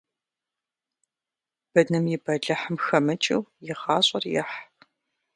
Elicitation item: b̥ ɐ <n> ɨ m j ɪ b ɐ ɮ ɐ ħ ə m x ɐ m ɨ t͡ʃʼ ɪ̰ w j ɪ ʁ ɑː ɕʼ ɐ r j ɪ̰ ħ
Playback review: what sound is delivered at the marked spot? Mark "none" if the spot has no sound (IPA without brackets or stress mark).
n